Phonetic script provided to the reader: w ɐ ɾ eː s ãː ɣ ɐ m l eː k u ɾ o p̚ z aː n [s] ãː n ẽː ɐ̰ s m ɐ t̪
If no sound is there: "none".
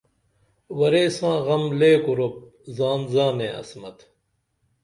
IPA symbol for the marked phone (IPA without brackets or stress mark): z